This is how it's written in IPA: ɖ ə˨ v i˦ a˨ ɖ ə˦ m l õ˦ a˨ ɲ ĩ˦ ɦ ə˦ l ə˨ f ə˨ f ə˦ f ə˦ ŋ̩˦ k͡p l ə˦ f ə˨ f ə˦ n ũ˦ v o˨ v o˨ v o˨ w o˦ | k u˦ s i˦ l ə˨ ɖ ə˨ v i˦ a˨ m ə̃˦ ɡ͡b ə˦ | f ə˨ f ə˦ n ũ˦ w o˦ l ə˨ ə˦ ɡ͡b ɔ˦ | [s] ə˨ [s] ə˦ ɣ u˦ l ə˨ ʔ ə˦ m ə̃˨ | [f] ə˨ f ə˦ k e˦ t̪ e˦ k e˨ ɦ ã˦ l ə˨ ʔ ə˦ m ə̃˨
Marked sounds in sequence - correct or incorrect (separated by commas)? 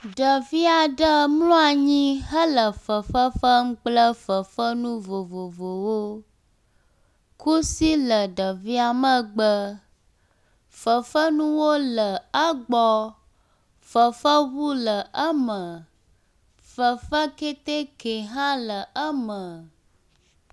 incorrect, incorrect, correct